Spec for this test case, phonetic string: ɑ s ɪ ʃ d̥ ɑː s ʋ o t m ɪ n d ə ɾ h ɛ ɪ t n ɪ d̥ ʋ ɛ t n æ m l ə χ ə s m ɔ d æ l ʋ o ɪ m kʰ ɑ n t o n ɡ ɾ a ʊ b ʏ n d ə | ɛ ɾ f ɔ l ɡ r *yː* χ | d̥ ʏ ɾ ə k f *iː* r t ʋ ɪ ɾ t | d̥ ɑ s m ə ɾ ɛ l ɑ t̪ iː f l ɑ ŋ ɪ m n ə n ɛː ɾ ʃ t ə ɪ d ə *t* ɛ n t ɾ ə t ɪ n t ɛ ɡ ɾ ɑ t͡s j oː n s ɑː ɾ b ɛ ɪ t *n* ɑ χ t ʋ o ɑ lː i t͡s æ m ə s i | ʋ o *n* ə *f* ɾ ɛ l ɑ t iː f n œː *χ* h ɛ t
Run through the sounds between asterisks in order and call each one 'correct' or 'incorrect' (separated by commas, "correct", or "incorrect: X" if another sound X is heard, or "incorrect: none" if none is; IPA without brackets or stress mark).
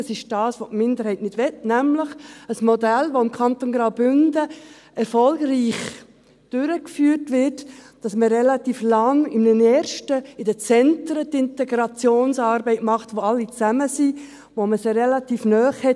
incorrect: iː, incorrect: yː, incorrect: t͡s, incorrect: m, incorrect: m, incorrect: s, correct